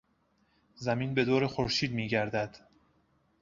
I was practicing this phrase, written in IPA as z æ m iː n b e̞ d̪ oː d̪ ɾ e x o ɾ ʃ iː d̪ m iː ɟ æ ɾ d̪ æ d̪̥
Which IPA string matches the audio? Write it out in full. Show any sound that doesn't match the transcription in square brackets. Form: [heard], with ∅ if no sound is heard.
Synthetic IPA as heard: z æ m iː n b e̞ d̪ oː [∅] ɾ e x o ɾ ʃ iː d̪ m iː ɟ æ ɾ d̪ æ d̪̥